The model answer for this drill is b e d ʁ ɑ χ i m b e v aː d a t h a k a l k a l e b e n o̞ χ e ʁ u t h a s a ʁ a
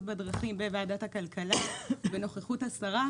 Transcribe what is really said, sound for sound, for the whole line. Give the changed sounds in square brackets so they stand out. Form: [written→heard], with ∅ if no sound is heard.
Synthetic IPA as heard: b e d ʁ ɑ χ i m b e v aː d a t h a k a l k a l [e→a] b e n o̞ χ e [ʁ→χ] u t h a s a ʁ a